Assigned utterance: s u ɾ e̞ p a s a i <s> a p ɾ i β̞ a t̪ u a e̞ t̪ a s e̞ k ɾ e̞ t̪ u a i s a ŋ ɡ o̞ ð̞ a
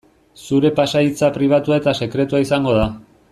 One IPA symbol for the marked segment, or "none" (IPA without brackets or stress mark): t͡s